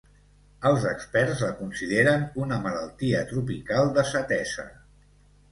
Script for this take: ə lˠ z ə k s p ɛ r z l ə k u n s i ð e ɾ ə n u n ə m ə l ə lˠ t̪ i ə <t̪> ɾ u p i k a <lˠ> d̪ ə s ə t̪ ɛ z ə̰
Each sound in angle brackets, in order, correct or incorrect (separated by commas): correct, correct